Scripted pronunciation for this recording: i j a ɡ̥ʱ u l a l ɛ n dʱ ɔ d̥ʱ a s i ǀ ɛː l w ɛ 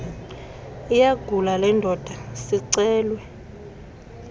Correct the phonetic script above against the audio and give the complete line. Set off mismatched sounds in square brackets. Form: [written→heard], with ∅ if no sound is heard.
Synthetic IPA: i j a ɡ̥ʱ u l a l ɛ n dʱ ɔ d̥ʱ a s i ǀ ɛː l w ɛ